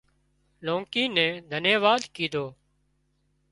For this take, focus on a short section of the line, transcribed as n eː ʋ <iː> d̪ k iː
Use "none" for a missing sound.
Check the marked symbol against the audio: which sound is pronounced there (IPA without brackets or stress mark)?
aː